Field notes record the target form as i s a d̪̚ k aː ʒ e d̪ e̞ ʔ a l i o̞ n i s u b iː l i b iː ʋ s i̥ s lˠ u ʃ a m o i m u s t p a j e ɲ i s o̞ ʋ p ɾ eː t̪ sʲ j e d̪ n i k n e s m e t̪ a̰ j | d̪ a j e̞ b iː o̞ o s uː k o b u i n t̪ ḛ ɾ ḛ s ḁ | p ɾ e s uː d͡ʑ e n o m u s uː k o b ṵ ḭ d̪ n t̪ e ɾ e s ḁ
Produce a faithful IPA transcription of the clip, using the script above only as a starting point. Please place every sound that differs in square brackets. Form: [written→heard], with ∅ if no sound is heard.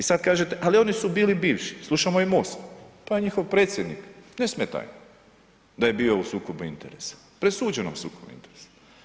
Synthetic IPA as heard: i s a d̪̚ k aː ʒ e [d̪→t̪] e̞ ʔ a l i o̞ n i s u b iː l i b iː ʋ [s→ʃ] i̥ s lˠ u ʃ a m o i m [u→o] s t p a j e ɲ i [s→x] o̞ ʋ p ɾ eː t̪ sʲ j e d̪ n i k n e s m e t̪ a̰ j | d̪ a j e̞ b iː o̞ [o→u] s uː k o b u i n t̪ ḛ ɾ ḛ s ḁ | p ɾ e s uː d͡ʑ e n o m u s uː k o b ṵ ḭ [d̪→∅] n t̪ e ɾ e s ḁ